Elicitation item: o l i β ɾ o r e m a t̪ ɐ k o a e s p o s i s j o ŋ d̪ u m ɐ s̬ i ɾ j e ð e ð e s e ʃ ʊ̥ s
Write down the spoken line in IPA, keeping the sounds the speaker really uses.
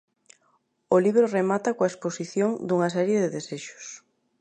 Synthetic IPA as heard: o l i β ɾ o r e m a t̪ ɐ k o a e s p o s i θ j o ŋ d̪ u ŋ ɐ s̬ ɛ ɾ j e ð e ð e s e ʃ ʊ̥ s